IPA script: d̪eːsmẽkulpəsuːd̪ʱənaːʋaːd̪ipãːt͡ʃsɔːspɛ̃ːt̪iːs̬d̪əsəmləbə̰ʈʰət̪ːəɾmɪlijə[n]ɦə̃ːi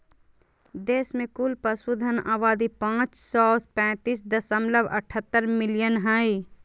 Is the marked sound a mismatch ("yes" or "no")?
no